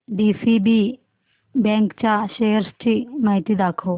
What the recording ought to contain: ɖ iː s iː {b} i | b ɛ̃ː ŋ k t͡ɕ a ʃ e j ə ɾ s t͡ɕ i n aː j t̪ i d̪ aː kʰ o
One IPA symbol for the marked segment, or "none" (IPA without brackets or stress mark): b